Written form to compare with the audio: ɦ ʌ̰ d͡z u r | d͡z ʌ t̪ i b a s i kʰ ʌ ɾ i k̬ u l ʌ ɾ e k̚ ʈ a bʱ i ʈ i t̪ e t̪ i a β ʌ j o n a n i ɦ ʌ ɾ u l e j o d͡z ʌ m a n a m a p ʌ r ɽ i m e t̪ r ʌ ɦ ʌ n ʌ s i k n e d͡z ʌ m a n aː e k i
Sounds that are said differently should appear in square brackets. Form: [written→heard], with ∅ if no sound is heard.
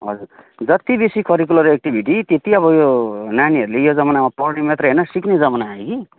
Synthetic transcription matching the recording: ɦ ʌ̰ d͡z u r | d͡z ʌ t̪ i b [a→e] s i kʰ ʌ ɾ i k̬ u l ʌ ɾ e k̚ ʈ [a→i] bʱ i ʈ i t̪ e t̪ i [a→ʌ] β ʌ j o n a n i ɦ ʌ ɾ u l e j o d͡z ʌ m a n a m a p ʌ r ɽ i m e t̪ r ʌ ɦ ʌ n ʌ s i k n e d͡z ʌ m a n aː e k i